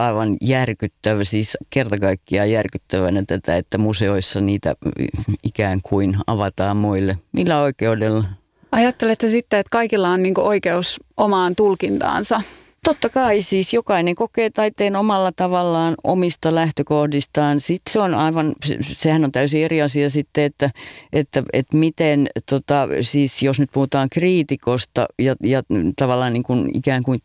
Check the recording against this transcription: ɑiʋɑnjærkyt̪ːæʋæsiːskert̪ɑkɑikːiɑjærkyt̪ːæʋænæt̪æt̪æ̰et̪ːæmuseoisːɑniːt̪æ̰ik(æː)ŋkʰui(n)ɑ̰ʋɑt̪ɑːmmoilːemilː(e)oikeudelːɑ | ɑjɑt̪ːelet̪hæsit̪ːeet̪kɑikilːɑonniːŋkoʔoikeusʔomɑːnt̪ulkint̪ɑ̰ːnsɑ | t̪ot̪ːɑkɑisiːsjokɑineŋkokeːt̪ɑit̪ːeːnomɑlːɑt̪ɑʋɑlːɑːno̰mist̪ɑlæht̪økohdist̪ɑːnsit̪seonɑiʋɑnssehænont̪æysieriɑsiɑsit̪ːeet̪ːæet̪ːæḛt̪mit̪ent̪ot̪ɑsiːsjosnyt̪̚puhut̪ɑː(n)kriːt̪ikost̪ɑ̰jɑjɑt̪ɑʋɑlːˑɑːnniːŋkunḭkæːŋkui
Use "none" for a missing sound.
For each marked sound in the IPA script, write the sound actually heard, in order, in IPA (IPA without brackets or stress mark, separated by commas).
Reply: æː, n, æ, ŋ